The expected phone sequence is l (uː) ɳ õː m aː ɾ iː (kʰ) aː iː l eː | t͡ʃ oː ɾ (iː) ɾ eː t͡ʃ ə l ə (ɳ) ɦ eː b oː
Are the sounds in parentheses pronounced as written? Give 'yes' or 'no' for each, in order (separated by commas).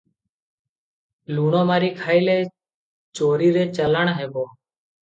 yes, yes, yes, yes